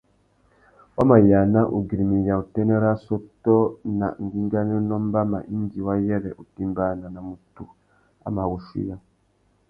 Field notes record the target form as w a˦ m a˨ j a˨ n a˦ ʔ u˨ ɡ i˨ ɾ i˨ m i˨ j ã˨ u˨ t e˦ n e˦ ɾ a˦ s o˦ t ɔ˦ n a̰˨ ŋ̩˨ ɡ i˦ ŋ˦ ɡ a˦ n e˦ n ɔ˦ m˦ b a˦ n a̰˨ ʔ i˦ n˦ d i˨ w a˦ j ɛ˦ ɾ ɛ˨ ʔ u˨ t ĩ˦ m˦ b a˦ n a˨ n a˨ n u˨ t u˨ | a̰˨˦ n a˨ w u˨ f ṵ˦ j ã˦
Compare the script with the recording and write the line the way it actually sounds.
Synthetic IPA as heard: w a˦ m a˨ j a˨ n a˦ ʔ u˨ ɡ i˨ ɾ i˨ m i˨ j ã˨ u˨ t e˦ n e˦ ɾ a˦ s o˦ t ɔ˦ n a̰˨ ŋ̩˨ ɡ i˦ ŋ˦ ɡ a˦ n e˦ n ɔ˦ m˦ b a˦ m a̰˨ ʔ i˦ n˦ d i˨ w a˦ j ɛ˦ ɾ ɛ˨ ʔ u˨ t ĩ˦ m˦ b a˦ n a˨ n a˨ m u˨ t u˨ | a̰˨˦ m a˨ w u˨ ʃ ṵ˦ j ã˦